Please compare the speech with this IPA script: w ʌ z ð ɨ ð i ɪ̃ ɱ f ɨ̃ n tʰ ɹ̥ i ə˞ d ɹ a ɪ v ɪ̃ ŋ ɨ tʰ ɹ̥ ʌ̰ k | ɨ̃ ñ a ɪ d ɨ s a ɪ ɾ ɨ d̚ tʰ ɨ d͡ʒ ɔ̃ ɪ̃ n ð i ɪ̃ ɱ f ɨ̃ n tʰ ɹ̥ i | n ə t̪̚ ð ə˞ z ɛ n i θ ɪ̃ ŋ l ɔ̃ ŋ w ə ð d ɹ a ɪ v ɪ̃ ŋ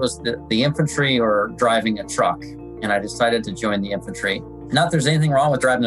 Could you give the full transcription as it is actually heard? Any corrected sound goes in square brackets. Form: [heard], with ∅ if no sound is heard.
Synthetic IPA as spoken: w ʌ z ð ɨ ð i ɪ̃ ɱ f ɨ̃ n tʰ ɹ̥ i ə˞ d ɹ a ɪ v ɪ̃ ŋ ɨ tʰ ɹ̥ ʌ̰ k | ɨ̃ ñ a ɪ d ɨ s a ɪ ɾ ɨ d̚ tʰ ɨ d͡ʒ ɔ̃ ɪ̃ n ð i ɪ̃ ɱ f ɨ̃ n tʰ ɹ̥ i | n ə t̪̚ ð ə˞ z ɛ n i θ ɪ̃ ŋ [ɹ] ɔ̃ ŋ w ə ð d ɹ a ɪ v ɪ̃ ŋ